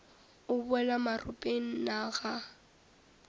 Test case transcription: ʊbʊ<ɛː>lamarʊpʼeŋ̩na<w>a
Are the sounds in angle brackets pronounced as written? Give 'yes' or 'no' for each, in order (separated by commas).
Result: no, no